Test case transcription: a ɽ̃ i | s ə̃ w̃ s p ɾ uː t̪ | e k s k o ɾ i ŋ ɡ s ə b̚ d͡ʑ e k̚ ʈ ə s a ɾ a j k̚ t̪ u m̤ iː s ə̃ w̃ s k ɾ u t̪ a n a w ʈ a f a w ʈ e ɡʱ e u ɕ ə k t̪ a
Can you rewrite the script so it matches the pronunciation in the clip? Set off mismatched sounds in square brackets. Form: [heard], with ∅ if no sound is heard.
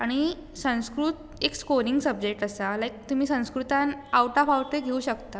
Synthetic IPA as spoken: a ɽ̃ i | s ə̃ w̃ s [k] ɾ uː t̪ | e k s k o ɾ i ŋ ɡ s ə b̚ d͡ʑ e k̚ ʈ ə s a [l] a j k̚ t̪ u m̤ iː s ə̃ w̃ s k ɾ u t̪ a n a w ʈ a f a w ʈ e ɡʱ e u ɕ ə k t̪ a